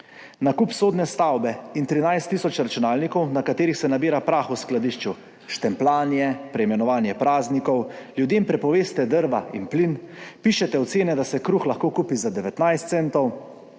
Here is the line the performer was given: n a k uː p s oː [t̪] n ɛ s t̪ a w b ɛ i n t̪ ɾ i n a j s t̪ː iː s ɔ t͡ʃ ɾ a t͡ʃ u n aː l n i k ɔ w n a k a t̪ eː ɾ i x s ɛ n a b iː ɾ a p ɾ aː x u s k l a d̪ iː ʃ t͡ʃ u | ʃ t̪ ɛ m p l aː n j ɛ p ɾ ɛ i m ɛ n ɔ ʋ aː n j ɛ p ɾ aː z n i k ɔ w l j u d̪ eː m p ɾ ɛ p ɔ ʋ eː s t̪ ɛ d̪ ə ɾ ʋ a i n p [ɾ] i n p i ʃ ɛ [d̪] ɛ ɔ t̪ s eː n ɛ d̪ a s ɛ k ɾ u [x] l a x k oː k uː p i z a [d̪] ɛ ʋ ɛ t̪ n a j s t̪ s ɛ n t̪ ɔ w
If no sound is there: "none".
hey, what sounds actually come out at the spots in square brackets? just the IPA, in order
d̪, l, t̪, x, d̪

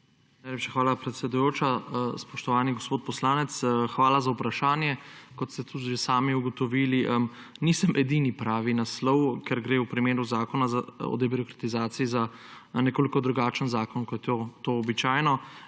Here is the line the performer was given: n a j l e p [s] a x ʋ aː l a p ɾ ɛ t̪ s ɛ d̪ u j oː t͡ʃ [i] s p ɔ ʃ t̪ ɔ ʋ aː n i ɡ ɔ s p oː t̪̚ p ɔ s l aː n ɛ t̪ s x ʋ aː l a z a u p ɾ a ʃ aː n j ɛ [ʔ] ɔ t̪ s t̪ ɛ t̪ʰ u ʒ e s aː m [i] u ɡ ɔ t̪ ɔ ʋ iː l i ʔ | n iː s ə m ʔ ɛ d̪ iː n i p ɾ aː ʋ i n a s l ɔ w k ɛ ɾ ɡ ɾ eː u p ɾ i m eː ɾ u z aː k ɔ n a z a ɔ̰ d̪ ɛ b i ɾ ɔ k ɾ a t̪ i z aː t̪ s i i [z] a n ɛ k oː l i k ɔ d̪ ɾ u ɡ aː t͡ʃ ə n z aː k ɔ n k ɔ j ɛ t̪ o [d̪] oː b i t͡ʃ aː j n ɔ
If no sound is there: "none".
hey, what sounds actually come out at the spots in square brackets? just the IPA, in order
ʃ, a, k, i, z, t̪

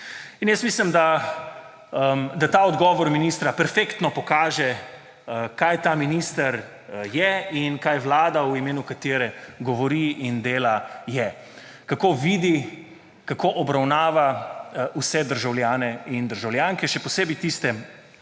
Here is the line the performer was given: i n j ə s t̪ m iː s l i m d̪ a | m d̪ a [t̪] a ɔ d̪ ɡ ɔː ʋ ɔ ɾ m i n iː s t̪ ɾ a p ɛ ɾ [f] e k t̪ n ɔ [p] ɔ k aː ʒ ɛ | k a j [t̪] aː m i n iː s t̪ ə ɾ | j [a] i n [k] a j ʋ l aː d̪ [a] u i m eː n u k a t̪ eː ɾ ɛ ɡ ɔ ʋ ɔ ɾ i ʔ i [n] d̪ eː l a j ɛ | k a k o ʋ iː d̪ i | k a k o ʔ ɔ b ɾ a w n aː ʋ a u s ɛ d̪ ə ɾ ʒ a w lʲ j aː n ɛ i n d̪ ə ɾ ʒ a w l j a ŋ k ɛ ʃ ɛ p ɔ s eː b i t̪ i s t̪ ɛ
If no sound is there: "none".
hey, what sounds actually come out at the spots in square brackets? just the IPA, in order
t̪, f, p, t̪, ɛ, k, a, n

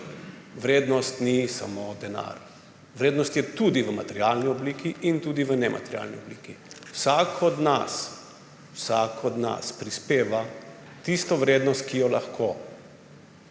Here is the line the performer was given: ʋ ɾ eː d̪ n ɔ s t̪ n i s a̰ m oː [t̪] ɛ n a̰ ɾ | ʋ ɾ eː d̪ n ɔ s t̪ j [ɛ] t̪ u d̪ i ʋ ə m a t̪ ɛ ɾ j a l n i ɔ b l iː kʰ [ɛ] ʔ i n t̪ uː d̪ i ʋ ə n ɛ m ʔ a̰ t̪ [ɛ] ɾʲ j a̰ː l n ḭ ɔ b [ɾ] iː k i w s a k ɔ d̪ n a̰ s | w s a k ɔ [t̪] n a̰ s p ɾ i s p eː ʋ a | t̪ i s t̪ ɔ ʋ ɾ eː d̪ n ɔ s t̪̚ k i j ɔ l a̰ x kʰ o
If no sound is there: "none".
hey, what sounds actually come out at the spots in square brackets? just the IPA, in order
d̪, ɛ, i, ɛ, l, d̪

